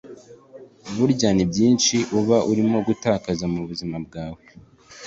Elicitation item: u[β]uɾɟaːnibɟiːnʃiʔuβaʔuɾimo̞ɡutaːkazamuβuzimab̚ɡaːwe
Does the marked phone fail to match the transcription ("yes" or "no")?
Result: no